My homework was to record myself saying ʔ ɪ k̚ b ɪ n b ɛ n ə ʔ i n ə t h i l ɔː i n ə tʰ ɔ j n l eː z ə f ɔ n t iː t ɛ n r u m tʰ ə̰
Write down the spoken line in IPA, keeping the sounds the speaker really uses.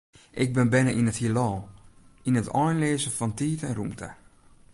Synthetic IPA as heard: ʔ ɪ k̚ b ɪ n b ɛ n ə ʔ i n ə t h i l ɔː i n ə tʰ ɔ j n l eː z ə f ɔ n t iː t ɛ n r u m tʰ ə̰